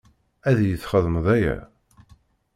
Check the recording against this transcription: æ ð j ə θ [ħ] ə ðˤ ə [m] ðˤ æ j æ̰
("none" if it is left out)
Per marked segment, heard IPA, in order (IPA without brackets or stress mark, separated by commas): χ, m